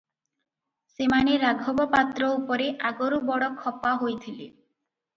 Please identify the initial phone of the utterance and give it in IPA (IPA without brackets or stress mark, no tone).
s